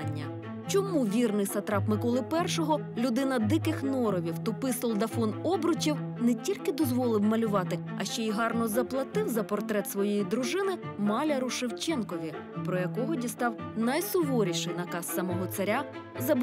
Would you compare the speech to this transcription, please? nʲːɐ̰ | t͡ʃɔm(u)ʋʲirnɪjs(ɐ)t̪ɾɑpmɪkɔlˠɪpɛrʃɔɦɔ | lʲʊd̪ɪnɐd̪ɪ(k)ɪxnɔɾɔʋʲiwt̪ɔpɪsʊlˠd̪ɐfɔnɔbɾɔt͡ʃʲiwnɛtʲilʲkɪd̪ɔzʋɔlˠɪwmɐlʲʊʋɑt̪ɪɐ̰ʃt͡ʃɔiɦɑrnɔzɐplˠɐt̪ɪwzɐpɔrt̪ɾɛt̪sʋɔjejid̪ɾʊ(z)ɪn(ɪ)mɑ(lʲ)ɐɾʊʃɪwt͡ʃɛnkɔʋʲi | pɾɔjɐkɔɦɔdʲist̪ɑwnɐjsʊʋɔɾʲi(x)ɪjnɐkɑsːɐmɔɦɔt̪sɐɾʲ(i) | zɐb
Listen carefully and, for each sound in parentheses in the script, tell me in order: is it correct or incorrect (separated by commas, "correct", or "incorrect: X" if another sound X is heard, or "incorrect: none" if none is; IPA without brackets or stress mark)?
correct, correct, correct, incorrect: ʒ, correct, correct, incorrect: ʃ, incorrect: a